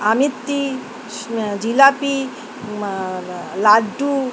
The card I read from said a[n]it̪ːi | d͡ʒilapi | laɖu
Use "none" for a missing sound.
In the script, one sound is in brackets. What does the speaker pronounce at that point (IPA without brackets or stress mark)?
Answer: m